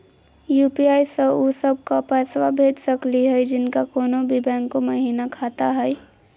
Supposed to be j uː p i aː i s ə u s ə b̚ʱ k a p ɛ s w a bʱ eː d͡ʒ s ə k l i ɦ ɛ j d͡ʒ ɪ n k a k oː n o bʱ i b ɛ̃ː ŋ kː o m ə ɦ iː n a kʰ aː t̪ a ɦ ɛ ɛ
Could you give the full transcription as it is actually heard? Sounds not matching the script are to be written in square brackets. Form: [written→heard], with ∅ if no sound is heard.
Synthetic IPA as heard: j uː p i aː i s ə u s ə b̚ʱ k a p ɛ s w a bʱ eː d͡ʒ s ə k l i ɦ ɛ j d͡ʒ ɪ n k a k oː n o bʱ i b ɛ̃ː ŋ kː o m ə ɦ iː n a kʰ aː t̪ a ɦ ɛ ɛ